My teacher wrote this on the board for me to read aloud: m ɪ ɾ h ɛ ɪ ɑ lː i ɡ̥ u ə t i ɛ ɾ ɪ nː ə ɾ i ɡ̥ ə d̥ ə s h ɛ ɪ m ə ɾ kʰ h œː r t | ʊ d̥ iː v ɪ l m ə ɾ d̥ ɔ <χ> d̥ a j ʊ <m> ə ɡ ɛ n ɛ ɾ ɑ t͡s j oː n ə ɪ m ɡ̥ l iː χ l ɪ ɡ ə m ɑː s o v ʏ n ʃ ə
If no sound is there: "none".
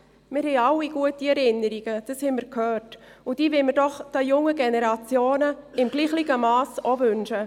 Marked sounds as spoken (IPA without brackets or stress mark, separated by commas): χ, ŋ